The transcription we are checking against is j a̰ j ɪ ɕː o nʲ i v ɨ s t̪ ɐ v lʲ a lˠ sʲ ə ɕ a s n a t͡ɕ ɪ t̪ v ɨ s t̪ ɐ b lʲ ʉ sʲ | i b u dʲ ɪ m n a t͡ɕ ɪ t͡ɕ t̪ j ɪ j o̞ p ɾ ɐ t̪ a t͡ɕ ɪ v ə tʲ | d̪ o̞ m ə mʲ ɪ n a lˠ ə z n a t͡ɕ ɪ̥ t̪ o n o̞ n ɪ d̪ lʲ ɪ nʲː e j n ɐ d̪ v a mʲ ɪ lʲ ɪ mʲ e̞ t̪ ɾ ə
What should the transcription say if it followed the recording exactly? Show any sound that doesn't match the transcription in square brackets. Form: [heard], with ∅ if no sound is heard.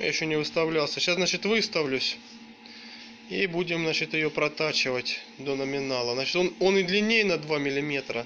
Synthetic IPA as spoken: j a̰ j ɪ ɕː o nʲ [ɪ] v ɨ s t̪ ɐ v lʲ a lˠ sʲ ə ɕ a s n a t͡ɕ ɪ t̪ v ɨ s t̪ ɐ [v] lʲ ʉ sʲ | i b u dʲ ɪ m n a t͡ɕ ɪ [∅] t̪ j ɪ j o̞ p ɾ ɐ t̪ a t͡ɕ ɪ v ə tʲ | d̪ o̞ [n] ə mʲ ɪ n a lˠ ə z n a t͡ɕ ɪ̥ t̪ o n o̞ n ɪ d̪ lʲ ɪ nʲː e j n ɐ d̪ v a mʲ ɪ lʲ ɪ mʲ e̞ t̪ ɾ ə